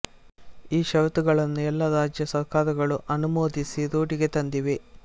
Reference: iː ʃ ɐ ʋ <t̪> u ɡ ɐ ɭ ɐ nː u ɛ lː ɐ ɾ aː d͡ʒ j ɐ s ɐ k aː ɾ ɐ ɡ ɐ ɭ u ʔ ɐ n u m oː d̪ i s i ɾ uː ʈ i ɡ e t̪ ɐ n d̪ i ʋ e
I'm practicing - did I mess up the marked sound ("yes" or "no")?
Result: no